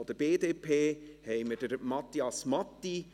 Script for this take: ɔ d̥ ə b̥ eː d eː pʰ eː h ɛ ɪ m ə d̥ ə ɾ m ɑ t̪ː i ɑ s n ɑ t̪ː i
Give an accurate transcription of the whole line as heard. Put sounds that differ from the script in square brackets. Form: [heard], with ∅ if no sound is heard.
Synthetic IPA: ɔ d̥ ə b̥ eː d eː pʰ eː h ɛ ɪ m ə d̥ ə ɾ m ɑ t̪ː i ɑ s [m] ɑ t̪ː i